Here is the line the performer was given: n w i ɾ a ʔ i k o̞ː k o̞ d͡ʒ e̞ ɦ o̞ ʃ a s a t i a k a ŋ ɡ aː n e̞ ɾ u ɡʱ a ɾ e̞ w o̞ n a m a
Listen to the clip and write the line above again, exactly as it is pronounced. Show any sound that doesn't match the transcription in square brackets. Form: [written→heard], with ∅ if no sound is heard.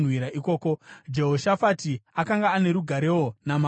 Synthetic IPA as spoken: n w i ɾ a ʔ i k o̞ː k o̞ d͡ʒ e̞ ɦ o̞ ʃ a [s→f] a t i a k a ŋ ɡ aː n e̞ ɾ u ɡʱ a ɾ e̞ w o̞ n a m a